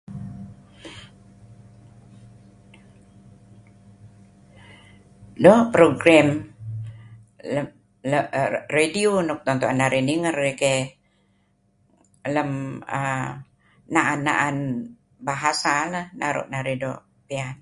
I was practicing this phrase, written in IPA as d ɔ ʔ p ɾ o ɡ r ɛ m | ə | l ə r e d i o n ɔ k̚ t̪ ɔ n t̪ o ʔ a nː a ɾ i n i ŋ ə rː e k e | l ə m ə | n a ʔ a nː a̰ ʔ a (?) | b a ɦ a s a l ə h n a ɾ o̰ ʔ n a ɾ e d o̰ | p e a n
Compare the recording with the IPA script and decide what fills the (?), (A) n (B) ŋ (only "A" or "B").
A